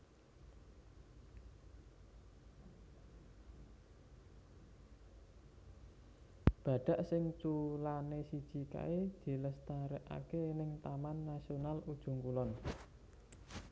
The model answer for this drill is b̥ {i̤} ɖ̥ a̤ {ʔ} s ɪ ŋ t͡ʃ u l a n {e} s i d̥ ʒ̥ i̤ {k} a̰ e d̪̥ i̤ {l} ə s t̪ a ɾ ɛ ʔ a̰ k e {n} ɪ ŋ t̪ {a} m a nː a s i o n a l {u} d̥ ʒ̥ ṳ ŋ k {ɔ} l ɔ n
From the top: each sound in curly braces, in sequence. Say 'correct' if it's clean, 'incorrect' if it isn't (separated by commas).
incorrect, correct, correct, correct, correct, correct, correct, correct, incorrect